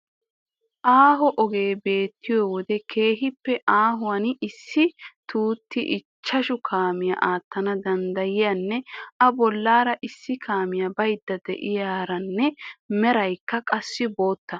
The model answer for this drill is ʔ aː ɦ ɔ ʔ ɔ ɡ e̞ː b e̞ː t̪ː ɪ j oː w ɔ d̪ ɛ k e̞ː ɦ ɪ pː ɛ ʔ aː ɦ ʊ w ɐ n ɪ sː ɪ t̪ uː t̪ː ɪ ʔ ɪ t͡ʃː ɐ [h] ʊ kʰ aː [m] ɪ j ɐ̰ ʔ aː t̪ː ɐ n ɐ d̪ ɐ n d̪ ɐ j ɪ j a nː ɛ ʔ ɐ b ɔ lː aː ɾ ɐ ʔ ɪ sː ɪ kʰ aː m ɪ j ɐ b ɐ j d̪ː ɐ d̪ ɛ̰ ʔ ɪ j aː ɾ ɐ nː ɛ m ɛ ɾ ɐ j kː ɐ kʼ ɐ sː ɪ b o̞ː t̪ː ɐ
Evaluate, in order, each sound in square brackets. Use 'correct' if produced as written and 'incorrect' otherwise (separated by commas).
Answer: incorrect, correct